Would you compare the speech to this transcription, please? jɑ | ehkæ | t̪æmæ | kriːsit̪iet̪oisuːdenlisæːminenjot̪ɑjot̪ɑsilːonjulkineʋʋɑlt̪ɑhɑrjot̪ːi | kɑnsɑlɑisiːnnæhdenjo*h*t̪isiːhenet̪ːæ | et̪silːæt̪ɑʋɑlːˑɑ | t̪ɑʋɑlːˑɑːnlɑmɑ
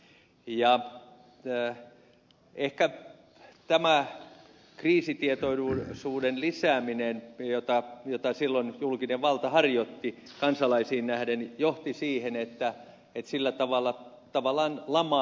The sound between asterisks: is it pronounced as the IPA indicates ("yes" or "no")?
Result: yes